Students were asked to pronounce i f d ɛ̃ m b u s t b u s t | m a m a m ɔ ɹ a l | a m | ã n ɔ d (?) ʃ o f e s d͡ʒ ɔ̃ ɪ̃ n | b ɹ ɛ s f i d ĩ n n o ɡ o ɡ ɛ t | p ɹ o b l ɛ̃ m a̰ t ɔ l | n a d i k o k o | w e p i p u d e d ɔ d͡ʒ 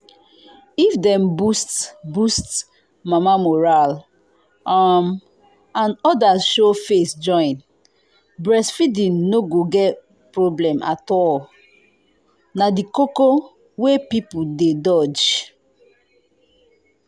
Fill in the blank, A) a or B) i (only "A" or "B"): A